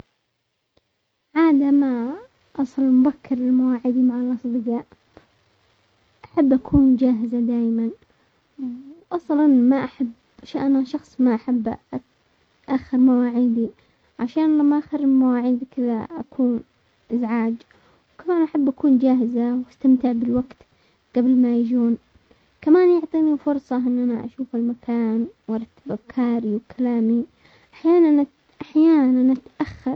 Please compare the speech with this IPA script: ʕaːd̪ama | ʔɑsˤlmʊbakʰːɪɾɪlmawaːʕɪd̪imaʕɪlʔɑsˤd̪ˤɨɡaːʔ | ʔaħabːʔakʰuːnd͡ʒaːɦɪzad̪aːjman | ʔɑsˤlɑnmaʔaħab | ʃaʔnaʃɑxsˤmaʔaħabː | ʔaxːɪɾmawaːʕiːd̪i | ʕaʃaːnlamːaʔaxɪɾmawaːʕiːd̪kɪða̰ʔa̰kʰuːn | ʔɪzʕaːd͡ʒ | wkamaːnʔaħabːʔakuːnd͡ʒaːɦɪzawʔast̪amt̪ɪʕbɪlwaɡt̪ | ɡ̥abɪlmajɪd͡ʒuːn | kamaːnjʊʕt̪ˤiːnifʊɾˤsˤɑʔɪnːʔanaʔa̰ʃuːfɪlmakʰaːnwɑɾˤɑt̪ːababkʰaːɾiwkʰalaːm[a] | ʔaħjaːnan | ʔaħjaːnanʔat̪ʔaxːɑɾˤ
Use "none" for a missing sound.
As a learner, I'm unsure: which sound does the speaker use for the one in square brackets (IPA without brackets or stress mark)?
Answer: i